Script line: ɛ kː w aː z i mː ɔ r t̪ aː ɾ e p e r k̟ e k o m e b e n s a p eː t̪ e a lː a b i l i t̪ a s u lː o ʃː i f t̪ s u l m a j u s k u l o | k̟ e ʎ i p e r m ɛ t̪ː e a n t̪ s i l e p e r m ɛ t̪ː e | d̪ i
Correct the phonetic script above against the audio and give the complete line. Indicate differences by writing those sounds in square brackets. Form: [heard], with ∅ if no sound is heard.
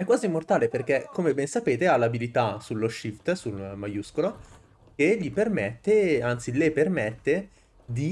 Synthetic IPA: ɛ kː w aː z i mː [o] r t̪ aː [l] e p e r k̟ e k o m e b [ɛ] n s a p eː t̪ e a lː a b i l i t̪ a s u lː o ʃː i f t̪ s u l m a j u s k [o] l o | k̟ e ʎ i p e r m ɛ t̪ː e a n t̪ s i l e p e r m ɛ t̪ː e | d̪ i